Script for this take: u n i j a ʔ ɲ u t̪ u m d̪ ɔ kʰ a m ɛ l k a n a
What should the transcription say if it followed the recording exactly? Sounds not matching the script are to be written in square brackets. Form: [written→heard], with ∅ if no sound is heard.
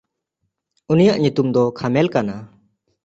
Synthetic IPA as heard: u n i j a ʔ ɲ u t̪ u m d̪ ɔ kʰ a m ɛ l k a n a